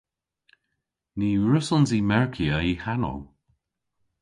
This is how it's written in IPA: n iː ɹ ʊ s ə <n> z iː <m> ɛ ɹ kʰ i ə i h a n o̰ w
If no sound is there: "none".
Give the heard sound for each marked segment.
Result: n, m

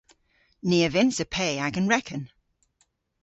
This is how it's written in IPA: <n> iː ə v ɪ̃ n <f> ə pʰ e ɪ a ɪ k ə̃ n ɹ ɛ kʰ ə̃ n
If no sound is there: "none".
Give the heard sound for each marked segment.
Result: n, s

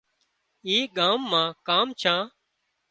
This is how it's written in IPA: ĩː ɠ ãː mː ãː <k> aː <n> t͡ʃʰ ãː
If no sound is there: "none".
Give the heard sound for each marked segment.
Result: k, m

